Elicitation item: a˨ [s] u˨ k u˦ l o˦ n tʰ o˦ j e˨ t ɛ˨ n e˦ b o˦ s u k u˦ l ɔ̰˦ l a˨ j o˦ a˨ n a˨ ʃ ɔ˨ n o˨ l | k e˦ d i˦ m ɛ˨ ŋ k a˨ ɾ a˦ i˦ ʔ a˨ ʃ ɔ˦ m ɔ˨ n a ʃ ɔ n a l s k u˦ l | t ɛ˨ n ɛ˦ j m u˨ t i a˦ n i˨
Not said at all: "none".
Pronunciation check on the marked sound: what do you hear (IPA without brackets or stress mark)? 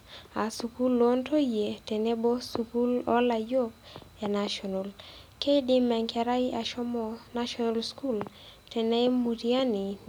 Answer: s